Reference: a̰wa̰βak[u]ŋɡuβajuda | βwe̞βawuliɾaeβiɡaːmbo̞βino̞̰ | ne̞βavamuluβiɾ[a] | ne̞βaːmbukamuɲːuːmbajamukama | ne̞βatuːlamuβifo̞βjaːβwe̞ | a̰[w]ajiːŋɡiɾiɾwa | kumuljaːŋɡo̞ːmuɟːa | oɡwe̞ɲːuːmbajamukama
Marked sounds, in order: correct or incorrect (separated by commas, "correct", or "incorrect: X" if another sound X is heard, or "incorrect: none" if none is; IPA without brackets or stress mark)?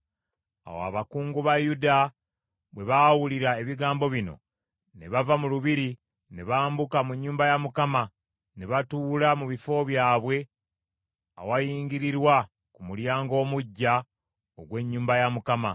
incorrect: uː, incorrect: i, correct